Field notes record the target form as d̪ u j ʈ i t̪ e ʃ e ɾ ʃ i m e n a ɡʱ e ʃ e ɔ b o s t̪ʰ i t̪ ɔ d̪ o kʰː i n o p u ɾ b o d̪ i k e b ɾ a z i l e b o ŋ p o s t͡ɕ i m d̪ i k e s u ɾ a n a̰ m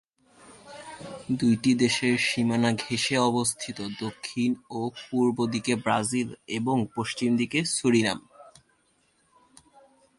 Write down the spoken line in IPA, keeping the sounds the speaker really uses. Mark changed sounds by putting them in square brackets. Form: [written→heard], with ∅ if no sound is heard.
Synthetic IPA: d̪ u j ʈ i [t̪→d̪] e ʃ e ɾ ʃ i m [e→a] n a ɡʱ e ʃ e ɔ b o s t̪ʰ i t̪ [ɔ→o] d̪ o kʰː i n o p u ɾ b o d̪ i k e b ɾ a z i l e b o ŋ p o [s→ʃ] t͡ɕ i m d̪ i k e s u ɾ [a→i] n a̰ m